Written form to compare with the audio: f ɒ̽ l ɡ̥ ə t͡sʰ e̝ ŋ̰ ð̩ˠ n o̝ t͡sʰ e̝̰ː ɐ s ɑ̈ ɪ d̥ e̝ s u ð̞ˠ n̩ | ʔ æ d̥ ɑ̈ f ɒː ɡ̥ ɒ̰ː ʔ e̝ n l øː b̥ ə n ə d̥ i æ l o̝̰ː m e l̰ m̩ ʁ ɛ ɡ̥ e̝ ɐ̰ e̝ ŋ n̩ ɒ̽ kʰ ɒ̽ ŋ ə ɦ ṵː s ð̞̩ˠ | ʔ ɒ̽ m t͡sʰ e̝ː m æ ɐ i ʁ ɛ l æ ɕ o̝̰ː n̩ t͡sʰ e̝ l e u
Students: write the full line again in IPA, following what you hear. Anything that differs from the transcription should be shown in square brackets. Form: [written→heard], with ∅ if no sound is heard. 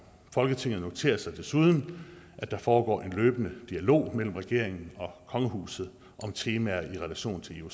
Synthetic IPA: f ɒ̽ l ɡ̥ ə t͡sʰ e̝ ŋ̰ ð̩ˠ n o̝ t͡sʰ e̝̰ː ɐ s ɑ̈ ɪ d̥ e̝ s u ð̞ˠ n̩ | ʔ æ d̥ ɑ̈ f ɒː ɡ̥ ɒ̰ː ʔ e̝ n l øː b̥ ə n ə d̥ i æ l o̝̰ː m e l̰ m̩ ʁ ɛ ɡ̥ e̝ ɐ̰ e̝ ŋ n̩ ɒ̽ kʰ ɒ̽ ŋ ə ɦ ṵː s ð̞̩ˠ | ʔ ɒ̽ m t͡sʰ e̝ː m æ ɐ i ʁ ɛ l æ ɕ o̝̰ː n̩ t͡sʰ e̝ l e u

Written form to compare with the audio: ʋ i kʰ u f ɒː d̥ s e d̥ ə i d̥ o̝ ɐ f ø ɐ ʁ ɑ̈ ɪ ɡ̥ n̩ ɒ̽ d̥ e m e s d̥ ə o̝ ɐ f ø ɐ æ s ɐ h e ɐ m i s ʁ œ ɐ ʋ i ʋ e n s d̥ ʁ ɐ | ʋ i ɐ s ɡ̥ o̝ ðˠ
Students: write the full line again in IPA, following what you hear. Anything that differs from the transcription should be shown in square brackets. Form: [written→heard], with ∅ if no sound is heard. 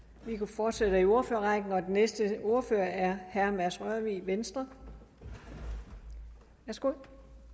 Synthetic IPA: ʋ i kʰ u f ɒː d̥ s e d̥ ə i [d̥→∅] o̝ ɐ f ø ɐ ʁ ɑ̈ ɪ ɡ̥ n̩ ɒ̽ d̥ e [m→n] e s d̥ ə o̝ ɐ f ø ɐ æ [s→∅] ɐ h [e→æ] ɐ m [i→æ] s ʁ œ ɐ ʋ i ʋ e n s d̥ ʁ ɐ | ʋ [i→æ] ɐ s ɡ̥ o̝ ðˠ

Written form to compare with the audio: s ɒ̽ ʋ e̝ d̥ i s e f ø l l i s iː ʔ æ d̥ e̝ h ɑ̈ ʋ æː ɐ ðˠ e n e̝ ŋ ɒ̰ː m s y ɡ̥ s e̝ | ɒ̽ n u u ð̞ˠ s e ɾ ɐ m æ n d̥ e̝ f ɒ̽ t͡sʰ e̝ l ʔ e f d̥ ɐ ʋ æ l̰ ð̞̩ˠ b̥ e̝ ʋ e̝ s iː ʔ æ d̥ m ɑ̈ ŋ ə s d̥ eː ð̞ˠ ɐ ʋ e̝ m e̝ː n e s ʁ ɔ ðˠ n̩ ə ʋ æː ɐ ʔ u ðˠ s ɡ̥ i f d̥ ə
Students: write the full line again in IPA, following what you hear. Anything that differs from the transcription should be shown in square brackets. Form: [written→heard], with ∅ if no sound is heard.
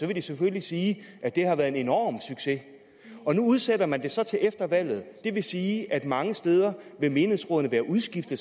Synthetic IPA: s ɒ̽ ʋ e̝ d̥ i s e f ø l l i s iː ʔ æ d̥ e̝ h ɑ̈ ʋ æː ɐ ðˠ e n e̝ [ŋ→n] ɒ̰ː m s y ɡ̥ s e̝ | ɒ̽ n u u ð̞ˠ s e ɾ ɐ m æ n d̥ e̝ [f→s] ɒ̽ t͡sʰ e̝ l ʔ e f d̥ ɐ ʋ æ l̰ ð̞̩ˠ [b̥→d̥] e̝ ʋ e̝ s iː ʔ æ d̥ m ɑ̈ ŋ ə s d̥ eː ð̞ˠ ɐ ʋ e̝ m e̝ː n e s ʁ ɔ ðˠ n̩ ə ʋ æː ɐ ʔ u ðˠ s ɡ̥ i f d̥ ə

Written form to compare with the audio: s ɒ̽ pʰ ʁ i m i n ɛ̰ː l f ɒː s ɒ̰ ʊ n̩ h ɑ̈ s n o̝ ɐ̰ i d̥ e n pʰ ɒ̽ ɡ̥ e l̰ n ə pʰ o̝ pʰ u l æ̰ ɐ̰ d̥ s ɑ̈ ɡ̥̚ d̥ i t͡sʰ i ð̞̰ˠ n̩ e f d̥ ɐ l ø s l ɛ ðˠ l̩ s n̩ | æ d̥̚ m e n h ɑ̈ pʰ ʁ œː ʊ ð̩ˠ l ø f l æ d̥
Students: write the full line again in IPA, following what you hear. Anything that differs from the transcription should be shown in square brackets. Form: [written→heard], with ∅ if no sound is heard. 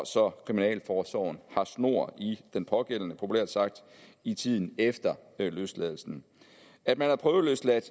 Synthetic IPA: s ɒ̽ [pʰ→kʰ] ʁ i m i n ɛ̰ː l f ɒː s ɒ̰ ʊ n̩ h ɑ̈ s n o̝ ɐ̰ i d̥ e n pʰ ɒ̽ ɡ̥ e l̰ n ə pʰ o̝ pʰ u l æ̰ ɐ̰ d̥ s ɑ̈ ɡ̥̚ d̥ i t͡sʰ i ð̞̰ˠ n̩ e f d̥ ɐ l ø s l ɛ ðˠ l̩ s n̩ | æ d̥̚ m [e→æ] n h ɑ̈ pʰ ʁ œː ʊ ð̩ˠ l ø [f→s] l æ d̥

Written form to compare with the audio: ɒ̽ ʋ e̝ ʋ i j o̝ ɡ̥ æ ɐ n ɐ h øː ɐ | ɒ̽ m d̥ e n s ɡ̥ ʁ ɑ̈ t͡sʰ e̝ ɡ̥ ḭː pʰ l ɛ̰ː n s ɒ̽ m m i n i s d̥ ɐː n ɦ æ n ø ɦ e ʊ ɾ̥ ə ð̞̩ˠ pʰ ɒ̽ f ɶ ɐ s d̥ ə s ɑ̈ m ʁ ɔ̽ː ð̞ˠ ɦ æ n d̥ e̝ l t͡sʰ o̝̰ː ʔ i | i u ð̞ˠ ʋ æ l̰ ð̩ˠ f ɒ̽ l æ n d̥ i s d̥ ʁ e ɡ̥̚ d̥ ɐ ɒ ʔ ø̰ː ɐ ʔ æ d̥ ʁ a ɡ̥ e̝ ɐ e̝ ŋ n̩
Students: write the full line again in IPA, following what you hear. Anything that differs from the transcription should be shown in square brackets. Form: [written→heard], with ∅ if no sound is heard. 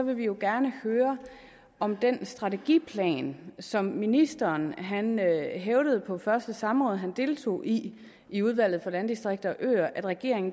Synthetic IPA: ɒ̽ ʋ e̝ ʋ i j o̝ ɡ̥ æ ɐ n [ɐ→ə] h øː ɐ | ɒ̽ m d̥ e n s [ɡ̥→d̥] ʁ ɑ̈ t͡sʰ e̝ ɡ̥ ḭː pʰ l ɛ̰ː n s ɒ̽ m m i n i s d̥ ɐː n ɦ æ n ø ɦ e ʊ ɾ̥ ə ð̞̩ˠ pʰ ɒ̽ f ɶ ɐ s d̥ ə s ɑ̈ m ʁ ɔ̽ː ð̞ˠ ɦ æ n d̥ e̝ l t͡sʰ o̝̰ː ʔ i | i u ð̞ˠ ʋ æ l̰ ð̩ˠ f ɒ̽ l æ n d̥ i s d̥ ʁ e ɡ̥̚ d̥ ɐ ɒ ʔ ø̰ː ɐ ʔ æ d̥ ʁ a ɡ̥ e̝ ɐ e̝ ŋ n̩

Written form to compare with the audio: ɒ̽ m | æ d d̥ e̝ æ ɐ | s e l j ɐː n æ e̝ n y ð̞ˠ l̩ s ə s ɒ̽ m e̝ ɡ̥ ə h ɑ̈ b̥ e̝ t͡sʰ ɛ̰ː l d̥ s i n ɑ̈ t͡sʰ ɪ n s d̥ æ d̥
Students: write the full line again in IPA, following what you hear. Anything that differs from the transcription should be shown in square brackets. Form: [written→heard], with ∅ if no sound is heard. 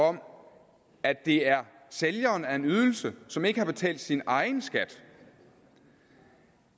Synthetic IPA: ɒ̽ m | æ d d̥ e̝ æ ɐ | s e l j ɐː n æ e̝ n y ð̞ˠ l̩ s ə s ɒ̽ m e̝ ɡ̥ ə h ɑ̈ b̥ e̝ t͡sʰ ɛ̰ː l d̥ s i n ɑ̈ [t͡sʰ→∅] ɪ n s [d̥→ɡ̥] æ d̥

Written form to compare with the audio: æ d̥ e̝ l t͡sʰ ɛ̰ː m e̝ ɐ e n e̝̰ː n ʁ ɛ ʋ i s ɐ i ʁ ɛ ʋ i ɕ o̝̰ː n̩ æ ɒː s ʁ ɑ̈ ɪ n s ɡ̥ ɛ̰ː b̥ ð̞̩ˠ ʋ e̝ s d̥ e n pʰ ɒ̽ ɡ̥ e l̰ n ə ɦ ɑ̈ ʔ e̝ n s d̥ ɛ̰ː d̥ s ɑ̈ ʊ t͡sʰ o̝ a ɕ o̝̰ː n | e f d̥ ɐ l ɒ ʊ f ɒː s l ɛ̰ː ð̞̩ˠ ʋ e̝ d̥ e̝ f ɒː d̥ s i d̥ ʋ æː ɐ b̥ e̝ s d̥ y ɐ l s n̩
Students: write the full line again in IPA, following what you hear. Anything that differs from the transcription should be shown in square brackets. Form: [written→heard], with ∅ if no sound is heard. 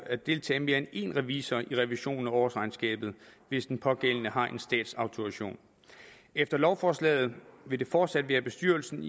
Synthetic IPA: æ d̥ e̝ l t͡sʰ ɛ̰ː m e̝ ɐ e n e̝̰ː n ʁ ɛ ʋ i s ɐ i ʁ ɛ ʋ i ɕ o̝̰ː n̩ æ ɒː s ʁ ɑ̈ ɪ n s ɡ̥ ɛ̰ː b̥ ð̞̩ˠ ʋ e̝ s d̥ e n pʰ ɒ̽ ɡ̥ e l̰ n ə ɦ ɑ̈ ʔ e̝ n s d̥ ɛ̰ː d̥ s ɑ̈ ʊ t͡sʰ o̝ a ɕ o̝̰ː n | e f d̥ ɐ l ɒ ʊ f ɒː s l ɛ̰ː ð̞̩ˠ ʋ e̝ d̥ e̝ f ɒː d̥ s [i→æ] d̥ ʋ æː ɐ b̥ e̝ s d̥ y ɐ l s n̩

